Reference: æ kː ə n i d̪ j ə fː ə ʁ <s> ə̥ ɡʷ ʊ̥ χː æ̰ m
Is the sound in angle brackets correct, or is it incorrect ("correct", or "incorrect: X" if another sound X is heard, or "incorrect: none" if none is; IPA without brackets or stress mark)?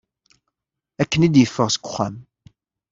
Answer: correct